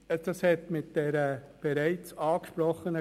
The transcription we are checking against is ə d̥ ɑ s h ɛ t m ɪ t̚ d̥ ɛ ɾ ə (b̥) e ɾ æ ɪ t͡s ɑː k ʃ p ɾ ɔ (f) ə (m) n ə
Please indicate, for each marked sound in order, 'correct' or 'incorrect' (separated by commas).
correct, incorrect, incorrect